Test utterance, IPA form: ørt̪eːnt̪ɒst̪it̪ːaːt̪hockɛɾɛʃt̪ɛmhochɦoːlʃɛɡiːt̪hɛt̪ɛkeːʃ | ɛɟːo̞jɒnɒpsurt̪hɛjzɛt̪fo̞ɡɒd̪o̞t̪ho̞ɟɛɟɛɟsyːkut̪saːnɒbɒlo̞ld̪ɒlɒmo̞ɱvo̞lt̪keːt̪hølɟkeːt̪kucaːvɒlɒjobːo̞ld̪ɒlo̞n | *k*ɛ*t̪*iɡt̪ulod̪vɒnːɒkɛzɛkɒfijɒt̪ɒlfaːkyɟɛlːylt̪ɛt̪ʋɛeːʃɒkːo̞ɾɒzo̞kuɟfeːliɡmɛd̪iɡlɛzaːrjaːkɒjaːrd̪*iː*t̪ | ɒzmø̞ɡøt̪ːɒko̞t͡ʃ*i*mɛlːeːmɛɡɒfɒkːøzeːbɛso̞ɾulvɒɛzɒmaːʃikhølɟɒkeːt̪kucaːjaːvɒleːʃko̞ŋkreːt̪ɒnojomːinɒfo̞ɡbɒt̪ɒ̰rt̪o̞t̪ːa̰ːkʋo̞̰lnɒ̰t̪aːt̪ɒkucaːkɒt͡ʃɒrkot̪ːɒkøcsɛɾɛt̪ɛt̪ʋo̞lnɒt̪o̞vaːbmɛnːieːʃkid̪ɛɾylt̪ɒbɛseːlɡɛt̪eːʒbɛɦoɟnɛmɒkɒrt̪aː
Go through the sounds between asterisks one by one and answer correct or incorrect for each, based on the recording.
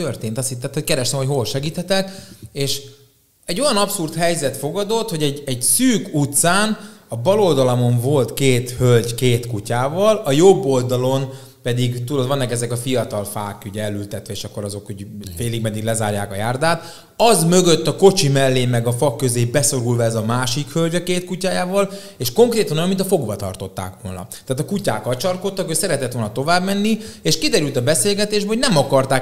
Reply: incorrect, incorrect, incorrect, correct

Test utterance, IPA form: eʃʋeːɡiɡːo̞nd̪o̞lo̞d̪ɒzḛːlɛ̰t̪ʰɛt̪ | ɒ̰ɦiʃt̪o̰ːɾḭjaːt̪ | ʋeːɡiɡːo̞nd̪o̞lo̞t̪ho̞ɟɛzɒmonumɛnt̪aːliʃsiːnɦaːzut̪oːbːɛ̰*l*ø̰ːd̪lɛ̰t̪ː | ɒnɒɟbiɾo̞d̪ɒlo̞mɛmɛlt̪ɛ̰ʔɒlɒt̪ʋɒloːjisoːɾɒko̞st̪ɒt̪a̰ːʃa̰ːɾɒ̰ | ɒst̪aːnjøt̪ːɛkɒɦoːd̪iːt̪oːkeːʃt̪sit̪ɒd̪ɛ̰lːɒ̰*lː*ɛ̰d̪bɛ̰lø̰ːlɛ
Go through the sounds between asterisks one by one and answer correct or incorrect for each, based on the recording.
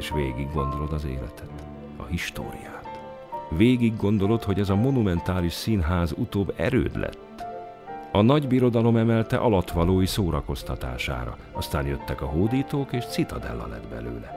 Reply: incorrect, incorrect

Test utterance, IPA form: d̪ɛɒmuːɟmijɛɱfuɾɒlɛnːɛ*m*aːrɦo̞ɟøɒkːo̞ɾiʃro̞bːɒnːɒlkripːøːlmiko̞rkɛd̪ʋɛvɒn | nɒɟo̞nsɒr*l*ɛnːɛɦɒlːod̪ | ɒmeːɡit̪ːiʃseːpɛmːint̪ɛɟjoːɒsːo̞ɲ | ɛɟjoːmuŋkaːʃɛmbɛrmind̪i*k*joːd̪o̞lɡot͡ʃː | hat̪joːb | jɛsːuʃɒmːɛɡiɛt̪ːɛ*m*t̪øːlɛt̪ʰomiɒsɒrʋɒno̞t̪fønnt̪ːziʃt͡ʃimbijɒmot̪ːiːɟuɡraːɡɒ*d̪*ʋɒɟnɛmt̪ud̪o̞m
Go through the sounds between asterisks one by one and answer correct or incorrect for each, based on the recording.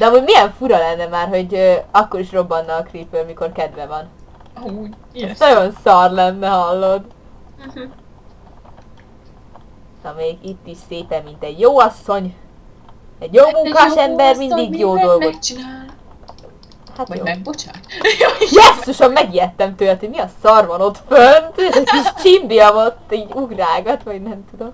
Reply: correct, correct, incorrect, correct, incorrect

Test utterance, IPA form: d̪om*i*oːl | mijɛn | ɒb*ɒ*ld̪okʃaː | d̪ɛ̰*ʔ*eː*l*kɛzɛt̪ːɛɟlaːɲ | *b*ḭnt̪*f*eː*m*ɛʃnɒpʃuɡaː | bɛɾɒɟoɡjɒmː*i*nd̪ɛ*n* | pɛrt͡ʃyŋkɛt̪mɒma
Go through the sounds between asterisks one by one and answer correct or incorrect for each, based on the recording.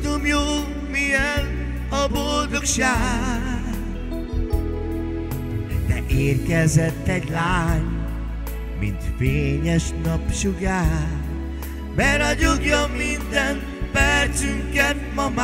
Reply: incorrect, incorrect, correct, incorrect, incorrect, correct, incorrect, correct, correct

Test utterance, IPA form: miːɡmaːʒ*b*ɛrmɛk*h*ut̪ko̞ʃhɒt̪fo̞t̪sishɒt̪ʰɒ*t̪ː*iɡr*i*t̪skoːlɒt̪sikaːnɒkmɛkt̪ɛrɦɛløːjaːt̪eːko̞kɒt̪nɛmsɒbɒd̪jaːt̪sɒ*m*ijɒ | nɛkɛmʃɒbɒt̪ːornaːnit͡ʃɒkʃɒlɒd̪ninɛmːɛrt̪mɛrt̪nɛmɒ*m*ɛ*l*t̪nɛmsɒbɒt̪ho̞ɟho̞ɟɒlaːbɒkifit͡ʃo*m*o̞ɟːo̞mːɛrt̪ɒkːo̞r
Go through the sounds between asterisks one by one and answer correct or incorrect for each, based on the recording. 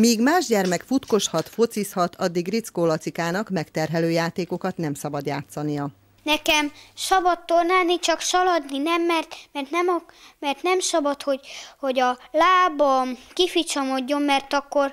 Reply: incorrect, incorrect, incorrect, correct, incorrect, correct, incorrect, correct

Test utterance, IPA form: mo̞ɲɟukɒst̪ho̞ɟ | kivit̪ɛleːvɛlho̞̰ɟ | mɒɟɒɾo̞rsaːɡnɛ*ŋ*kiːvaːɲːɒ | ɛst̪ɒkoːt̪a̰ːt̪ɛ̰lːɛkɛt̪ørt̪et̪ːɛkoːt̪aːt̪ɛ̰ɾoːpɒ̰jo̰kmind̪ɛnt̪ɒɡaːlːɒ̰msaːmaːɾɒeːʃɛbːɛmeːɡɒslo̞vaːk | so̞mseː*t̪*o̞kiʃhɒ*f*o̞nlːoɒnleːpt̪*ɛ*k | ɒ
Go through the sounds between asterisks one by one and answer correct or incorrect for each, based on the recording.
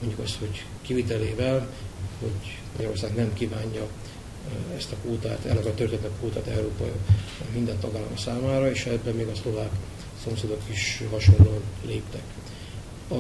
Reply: incorrect, incorrect, incorrect, correct

